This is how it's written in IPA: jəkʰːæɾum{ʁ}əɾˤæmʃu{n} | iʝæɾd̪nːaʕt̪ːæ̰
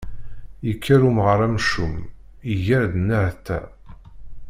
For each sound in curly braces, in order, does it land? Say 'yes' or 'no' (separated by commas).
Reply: yes, no